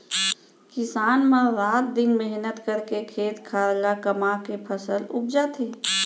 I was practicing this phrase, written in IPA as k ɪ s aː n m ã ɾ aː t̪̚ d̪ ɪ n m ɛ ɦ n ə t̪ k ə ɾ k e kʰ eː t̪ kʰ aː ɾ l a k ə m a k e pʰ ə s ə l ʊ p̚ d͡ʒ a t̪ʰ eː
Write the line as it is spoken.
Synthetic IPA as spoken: k ɪ s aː n m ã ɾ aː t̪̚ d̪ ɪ n m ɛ ɦ n ə t̪ k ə ɾ k e kʰ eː t̪ kʰ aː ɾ l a k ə m a k e pʰ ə s ə l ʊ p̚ d͡ʒ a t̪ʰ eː